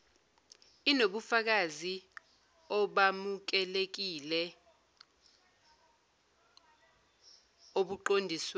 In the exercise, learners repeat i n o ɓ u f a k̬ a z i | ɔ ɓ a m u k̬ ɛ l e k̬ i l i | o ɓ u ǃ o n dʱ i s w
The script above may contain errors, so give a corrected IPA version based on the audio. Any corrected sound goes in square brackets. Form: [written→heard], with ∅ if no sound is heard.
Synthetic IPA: i n o ɓ u f a k̬ a z i | ɔ ɓ a m u k̬ ɛ l e k̬ i l [i→ɛ] | o ɓ u ǃ o n dʱ i s w